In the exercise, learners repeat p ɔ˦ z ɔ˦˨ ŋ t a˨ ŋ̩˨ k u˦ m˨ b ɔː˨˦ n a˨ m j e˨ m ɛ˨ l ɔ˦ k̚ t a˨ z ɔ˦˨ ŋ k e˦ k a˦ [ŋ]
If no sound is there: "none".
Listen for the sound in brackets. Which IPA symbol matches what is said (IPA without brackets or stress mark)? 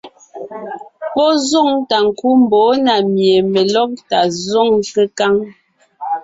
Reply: ŋ